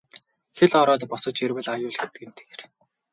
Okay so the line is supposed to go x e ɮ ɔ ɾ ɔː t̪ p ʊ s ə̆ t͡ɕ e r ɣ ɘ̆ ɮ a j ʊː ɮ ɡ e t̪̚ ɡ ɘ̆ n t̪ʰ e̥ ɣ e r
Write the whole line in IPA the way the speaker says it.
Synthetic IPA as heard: x e ɮ ɔ ɾ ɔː t̪ p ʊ s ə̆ t͡ɕ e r w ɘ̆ ɮ a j ʊː ɮ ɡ e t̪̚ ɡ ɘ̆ n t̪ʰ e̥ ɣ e r